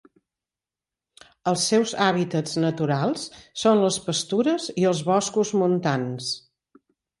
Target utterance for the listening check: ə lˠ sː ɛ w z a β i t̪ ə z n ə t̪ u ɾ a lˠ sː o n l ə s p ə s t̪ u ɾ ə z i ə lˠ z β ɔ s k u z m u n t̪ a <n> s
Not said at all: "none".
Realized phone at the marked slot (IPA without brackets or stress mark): n